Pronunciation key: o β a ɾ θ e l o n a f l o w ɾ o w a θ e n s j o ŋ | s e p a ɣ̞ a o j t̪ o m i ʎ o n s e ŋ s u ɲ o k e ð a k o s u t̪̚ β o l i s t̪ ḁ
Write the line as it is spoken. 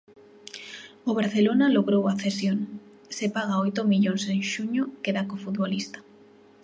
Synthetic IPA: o β a ɾ θ e l o n a l o ɣ ɾ o w a θ e s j o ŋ | s e p a ɣ̞ a o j t̪ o m i ʎ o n s e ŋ ʃ u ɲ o k e ð a k o f u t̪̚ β o l i s t̪ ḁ